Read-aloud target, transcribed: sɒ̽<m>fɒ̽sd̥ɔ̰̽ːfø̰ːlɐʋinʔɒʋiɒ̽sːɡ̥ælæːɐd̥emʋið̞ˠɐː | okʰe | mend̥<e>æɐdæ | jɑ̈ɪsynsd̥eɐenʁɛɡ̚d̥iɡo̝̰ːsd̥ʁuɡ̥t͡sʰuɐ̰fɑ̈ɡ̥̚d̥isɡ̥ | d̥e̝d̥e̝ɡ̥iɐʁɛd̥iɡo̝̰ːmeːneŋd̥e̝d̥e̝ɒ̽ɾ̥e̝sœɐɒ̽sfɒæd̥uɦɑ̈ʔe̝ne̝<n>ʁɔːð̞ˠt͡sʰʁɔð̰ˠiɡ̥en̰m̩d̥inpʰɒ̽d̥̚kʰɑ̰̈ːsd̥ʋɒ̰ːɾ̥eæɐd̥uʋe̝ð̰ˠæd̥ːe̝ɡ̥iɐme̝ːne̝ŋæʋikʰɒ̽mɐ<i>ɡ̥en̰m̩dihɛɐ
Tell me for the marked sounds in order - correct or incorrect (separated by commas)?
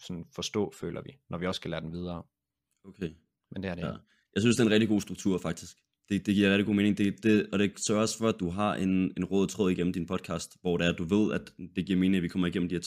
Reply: incorrect, correct, correct, correct